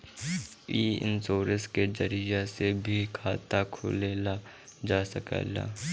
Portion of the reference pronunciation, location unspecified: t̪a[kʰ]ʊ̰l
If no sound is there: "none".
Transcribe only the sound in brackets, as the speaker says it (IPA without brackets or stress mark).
kʰ